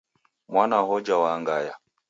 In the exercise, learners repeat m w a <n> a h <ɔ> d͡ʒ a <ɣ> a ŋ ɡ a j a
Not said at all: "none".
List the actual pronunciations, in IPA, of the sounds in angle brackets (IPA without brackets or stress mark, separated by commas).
n, ɔ, w